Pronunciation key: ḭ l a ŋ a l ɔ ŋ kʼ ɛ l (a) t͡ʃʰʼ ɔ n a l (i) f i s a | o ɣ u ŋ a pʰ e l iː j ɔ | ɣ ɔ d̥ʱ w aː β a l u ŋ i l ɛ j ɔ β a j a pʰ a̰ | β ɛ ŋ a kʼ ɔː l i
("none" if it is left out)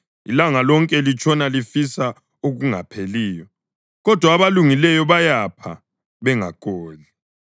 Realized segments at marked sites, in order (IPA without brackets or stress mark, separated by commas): i, i